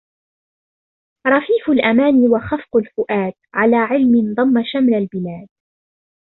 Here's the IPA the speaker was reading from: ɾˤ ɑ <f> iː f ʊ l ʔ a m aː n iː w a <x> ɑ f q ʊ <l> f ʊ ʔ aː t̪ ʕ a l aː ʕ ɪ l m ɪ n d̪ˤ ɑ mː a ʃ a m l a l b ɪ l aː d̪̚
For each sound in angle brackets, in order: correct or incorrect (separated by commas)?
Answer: correct, correct, correct